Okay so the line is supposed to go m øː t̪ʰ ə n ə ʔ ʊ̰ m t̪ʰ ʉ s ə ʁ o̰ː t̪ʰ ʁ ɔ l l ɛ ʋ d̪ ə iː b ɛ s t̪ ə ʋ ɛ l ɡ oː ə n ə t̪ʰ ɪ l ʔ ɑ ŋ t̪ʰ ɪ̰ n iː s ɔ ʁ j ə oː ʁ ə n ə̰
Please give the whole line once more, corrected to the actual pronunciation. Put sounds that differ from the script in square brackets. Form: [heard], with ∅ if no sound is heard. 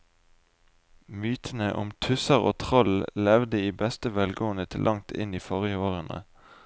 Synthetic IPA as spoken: m [yː] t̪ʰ ə n ə ʔ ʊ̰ m t̪ʰ ʉ s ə ʁ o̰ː t̪ʰ ʁ ɔ l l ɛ ʋ d̪ ə iː b ɛ s t̪ ə ʋ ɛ l ɡ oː ə n ə t̪ʰ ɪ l ʔ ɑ ŋ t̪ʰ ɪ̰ n iː [f] ɔ ʁ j ə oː ʁ ə n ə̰